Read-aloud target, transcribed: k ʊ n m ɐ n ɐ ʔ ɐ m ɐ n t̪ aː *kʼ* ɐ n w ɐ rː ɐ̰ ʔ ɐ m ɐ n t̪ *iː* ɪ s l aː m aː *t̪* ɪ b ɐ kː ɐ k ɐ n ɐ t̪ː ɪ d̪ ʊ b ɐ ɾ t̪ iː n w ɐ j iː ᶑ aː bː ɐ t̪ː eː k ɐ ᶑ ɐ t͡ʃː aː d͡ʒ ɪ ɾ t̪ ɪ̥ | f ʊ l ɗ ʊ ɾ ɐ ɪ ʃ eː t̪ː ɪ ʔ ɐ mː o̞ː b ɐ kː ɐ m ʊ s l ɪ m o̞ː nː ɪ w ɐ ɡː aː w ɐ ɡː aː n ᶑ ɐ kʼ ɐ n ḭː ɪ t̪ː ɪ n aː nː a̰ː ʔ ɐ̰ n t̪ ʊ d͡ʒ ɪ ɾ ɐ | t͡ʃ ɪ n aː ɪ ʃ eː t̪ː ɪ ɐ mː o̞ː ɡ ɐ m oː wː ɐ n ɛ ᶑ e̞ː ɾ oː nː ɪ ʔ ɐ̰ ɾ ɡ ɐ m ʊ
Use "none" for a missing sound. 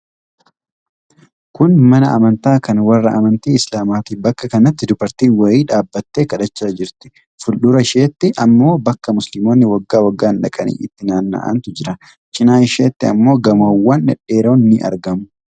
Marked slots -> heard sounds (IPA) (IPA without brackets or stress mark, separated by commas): k, iː, t̪